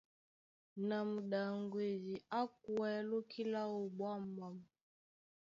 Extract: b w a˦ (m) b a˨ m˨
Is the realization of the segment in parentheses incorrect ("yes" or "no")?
no